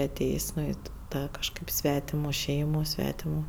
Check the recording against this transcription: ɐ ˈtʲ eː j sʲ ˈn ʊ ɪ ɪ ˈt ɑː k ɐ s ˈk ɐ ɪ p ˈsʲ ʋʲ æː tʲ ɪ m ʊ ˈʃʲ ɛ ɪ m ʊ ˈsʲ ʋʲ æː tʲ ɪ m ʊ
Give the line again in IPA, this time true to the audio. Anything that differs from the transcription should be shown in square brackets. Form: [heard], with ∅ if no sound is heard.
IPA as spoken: ɐ ˈtʲ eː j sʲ ˈn ʊ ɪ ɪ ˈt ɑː k ɐ [ʃ] ˈk ɐ ɪ p ˈsʲ ʋʲ æː tʲ ɪ m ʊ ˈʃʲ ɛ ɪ m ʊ ˈsʲ ʋʲ æː tʲ ɪ m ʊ